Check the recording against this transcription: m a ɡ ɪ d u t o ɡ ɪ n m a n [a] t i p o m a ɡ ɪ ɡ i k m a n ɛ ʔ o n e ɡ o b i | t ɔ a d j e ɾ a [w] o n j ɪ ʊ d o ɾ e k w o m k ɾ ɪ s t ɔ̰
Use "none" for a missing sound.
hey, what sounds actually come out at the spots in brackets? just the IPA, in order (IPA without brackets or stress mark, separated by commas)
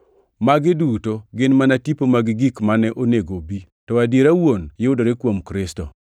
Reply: a, w